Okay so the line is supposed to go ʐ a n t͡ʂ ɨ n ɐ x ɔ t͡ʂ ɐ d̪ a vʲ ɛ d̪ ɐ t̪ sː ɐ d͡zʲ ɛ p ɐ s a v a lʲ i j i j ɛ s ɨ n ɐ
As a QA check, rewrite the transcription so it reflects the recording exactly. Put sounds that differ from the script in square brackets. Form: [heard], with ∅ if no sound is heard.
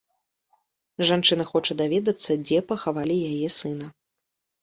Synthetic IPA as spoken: ʐ a n t͡ʂ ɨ n ɐ x ɔ t͡ʂ ɐ d̪ a vʲ ɛ d̪ ɐ t̪ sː ɐ d͡zʲ ɛ p ɐ [x] a v a lʲ i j [a] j ɛ s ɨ n ɐ